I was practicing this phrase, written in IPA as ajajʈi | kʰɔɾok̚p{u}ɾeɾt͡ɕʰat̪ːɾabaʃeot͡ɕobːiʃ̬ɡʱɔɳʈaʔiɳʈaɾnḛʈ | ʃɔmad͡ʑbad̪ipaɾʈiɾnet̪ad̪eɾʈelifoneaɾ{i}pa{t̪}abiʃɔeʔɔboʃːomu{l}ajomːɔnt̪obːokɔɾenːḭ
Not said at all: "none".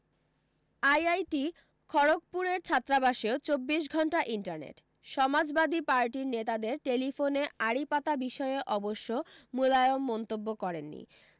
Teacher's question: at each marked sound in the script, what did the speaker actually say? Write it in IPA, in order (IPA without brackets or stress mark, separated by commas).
u, i, t̪, l